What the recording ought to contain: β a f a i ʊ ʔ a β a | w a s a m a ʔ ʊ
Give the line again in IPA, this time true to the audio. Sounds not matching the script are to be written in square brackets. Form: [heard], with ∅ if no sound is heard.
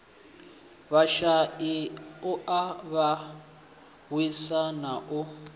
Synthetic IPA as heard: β a [ʃ] a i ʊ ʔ a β a | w [i] s a [n] a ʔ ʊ